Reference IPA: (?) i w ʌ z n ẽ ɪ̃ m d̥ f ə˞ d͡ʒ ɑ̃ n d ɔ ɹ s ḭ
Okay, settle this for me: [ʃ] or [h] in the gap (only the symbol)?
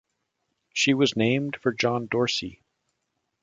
ʃ